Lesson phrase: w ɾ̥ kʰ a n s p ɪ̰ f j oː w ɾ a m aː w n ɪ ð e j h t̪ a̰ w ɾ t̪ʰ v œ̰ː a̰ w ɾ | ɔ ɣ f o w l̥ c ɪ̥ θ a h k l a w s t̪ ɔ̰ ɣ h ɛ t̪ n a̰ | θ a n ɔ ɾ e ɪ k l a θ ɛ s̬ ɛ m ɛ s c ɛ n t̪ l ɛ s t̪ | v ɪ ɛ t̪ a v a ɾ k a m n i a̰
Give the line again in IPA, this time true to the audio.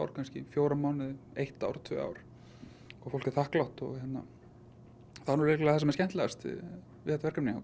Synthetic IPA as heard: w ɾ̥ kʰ a n s c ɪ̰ f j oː w ɾ a m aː w n ɪ ð e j h t̪ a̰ w ɾ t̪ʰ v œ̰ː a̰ w ɾ | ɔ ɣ f o w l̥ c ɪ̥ θ a h k l a w h t̪ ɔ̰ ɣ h ɛ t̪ n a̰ | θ a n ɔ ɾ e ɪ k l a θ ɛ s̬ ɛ m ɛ s c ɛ n t̪ l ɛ s t̪ | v ɪ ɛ t̪ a v ɛ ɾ k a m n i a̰